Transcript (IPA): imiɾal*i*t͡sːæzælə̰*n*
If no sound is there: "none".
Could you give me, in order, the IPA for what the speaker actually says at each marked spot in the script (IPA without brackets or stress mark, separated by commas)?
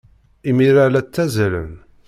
æ, n